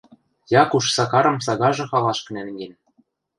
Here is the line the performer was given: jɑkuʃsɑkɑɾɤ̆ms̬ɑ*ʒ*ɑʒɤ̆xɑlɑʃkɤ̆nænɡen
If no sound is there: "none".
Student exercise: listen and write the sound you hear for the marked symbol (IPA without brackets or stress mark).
ɣ